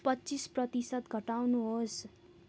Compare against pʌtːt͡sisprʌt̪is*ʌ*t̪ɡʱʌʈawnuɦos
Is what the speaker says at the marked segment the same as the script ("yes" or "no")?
yes